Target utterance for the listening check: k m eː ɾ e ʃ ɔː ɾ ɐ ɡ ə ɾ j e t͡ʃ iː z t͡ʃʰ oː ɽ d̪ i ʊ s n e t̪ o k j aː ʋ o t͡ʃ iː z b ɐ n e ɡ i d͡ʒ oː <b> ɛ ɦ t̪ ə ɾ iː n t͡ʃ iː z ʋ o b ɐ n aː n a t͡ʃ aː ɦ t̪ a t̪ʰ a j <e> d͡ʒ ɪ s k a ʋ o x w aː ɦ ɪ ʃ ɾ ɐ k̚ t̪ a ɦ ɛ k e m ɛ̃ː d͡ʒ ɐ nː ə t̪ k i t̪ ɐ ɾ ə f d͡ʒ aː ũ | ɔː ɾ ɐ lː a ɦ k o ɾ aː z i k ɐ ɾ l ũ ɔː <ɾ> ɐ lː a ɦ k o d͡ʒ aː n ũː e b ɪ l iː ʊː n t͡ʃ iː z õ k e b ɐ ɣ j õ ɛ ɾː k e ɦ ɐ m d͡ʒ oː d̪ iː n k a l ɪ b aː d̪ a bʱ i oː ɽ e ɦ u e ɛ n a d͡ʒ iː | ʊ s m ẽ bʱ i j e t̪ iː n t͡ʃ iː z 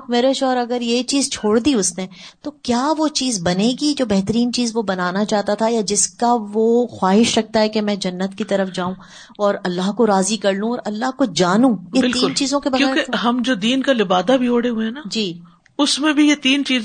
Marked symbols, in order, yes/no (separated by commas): yes, no, yes